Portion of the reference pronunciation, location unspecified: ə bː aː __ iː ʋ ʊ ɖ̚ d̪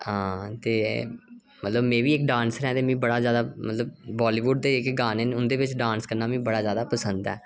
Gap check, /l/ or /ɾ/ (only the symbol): l